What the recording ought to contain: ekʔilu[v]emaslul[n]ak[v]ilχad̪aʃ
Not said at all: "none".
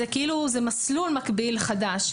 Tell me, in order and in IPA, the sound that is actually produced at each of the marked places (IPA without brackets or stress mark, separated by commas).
z, m, b